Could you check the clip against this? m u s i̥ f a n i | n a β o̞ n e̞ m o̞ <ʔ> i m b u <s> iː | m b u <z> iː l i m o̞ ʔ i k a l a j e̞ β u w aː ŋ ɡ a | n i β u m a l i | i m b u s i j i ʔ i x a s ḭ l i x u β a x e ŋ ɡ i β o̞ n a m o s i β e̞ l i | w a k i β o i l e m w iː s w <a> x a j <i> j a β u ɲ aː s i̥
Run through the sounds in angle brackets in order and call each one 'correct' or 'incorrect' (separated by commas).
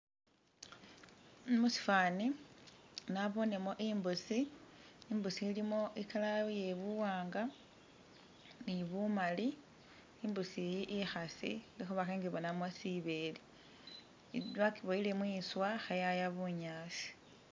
correct, correct, incorrect, correct, incorrect